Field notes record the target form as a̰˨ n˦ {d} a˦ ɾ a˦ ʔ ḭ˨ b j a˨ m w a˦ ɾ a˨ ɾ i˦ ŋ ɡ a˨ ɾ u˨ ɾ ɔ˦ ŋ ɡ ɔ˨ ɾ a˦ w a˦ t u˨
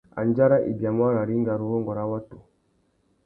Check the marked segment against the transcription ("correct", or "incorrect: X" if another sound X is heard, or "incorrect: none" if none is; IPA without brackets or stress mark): incorrect: d͡ʒ